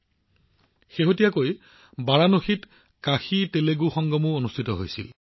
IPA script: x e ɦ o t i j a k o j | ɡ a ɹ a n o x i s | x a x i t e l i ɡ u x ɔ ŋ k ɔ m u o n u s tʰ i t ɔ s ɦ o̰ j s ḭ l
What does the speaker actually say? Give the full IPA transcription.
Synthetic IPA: x e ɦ o t i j a k o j | b a ɹ a n o x i t | k a x i t e l e ɡ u x ɔ ŋ ɡ ɔ m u o n u s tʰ i t ɔ ɦ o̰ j s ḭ l